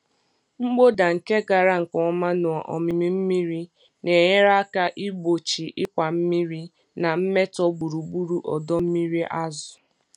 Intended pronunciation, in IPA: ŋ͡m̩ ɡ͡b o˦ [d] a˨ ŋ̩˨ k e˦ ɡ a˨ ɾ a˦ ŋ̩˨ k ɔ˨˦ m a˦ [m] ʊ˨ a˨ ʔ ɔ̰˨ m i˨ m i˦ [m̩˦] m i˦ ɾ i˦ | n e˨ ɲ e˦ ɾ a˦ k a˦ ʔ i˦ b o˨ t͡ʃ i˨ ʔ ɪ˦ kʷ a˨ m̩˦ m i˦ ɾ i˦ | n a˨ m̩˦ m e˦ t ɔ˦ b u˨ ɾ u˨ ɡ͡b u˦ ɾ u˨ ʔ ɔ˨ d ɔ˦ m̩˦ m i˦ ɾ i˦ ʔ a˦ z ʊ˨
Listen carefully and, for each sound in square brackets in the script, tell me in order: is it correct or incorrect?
correct, incorrect, correct

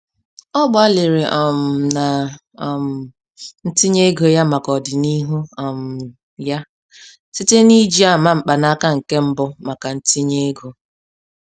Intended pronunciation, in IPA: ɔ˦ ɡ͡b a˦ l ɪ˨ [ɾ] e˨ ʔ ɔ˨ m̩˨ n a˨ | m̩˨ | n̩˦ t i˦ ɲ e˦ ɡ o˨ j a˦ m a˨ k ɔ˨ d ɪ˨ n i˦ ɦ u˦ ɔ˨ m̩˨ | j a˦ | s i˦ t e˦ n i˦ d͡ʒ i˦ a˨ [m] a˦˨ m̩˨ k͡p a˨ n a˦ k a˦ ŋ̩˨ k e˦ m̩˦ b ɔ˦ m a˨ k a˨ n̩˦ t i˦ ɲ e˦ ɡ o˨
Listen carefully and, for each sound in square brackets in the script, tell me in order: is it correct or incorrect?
correct, correct

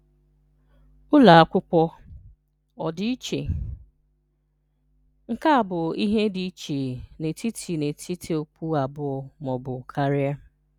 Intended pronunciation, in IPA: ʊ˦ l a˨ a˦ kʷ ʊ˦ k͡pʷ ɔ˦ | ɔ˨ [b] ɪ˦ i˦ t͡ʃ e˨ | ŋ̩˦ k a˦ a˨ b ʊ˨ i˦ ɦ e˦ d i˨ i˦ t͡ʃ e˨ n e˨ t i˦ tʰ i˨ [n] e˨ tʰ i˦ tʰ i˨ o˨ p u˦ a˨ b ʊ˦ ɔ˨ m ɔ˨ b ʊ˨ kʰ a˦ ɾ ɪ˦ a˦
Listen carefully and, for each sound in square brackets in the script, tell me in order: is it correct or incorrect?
incorrect, correct

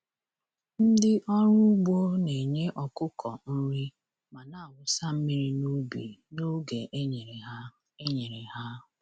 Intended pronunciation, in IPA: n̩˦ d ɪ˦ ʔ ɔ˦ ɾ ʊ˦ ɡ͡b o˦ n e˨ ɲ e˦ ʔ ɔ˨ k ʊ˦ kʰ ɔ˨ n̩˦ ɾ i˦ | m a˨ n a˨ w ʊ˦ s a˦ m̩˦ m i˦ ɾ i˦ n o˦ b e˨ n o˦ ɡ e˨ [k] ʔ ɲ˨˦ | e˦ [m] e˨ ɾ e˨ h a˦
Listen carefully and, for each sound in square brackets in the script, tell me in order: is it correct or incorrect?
incorrect, incorrect

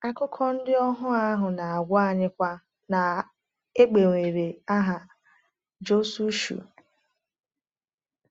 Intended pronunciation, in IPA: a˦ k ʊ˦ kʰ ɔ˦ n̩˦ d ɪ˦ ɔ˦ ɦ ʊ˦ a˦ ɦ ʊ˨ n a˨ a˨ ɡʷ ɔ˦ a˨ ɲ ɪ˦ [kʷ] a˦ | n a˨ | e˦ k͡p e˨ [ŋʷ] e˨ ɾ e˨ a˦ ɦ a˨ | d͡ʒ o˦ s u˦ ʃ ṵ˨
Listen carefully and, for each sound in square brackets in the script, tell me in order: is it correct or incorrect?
correct, correct

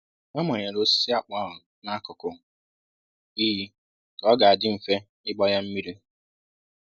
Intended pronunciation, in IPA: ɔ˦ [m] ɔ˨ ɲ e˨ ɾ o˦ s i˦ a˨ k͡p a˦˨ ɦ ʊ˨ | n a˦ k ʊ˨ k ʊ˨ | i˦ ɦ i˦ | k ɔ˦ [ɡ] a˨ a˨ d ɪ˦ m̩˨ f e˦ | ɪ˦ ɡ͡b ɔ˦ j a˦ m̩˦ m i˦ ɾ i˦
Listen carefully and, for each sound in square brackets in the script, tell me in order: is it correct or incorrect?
correct, correct

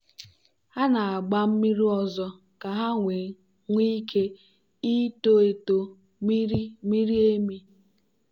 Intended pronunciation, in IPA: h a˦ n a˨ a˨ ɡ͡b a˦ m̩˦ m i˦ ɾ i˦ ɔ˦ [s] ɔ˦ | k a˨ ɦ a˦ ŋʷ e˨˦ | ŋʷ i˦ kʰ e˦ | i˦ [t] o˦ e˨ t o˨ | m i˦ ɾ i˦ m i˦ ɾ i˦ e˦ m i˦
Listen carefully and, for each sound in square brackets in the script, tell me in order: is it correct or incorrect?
incorrect, correct

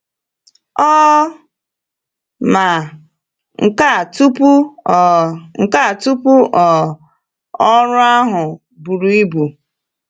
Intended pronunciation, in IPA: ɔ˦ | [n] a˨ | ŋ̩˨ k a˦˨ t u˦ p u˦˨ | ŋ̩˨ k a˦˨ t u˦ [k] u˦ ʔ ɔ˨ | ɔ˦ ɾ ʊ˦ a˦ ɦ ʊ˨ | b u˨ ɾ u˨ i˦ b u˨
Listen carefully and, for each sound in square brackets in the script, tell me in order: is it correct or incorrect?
incorrect, incorrect

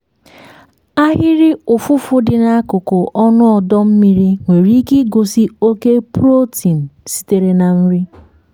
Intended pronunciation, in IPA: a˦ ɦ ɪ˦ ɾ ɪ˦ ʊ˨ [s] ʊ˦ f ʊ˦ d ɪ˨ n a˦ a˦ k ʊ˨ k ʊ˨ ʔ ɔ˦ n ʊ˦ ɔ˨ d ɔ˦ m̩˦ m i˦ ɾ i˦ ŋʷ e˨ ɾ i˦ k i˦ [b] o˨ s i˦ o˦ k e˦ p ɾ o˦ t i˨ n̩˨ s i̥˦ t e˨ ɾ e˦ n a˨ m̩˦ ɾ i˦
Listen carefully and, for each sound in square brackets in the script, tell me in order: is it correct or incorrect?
incorrect, incorrect

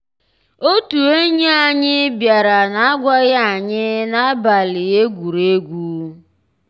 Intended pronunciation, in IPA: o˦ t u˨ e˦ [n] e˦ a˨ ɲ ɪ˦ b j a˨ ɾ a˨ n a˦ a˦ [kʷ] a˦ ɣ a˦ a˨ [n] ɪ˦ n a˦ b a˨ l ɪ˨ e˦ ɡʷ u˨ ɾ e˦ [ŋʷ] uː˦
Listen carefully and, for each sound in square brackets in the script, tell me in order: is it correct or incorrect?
incorrect, incorrect, incorrect, incorrect

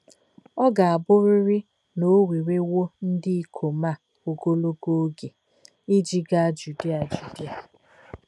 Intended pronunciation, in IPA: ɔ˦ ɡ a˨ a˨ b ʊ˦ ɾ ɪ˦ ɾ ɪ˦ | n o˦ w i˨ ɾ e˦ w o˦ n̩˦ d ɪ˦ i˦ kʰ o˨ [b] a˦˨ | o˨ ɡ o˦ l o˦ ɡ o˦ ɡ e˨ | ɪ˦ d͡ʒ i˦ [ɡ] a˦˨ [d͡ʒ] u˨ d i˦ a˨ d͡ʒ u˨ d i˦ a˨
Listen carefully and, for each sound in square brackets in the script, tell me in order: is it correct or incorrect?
incorrect, correct, correct

